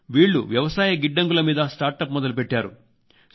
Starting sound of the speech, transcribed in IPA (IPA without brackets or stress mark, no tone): ʋ